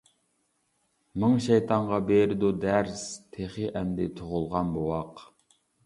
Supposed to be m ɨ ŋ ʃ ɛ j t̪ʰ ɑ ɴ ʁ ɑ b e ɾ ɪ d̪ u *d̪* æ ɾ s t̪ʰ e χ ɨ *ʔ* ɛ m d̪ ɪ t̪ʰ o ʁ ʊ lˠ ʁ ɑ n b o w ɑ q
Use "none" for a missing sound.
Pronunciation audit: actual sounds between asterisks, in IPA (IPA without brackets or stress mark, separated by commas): d̪, ʔ